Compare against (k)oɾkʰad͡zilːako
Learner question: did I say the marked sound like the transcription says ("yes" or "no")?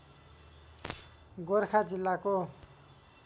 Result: no